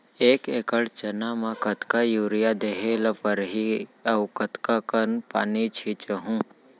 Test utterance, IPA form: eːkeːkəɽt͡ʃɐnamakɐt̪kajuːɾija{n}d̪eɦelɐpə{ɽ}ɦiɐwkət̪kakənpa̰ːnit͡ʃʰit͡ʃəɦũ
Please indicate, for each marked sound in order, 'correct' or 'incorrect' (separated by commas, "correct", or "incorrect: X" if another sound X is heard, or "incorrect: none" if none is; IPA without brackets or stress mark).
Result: incorrect: none, incorrect: ɾ